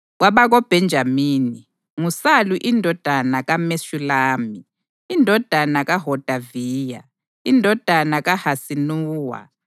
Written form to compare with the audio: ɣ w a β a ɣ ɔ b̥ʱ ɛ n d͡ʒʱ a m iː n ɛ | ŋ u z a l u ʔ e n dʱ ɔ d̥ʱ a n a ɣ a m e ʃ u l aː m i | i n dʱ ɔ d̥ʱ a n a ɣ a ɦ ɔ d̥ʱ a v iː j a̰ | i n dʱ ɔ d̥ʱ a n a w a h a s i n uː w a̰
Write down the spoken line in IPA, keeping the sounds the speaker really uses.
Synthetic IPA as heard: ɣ w a β a ɣ ɔ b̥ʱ ɛ n d͡ʒʱ a m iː n i | ŋ u s a l u ʔ i n dʱ ɔ d̥ʱ a n a ɣ a m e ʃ u l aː m i | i n dʱ ɔ d̥ʱ a n a ɣ a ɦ ɔ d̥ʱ a v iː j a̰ | i n dʱ ɔ d̥ʱ a n a ɣ a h a s i n uː w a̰